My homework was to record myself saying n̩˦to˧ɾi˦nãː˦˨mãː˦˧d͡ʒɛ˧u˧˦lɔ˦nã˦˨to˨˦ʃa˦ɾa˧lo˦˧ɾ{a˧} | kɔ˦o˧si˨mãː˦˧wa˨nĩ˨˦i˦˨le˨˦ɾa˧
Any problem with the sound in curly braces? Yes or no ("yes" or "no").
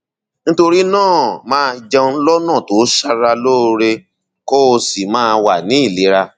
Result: yes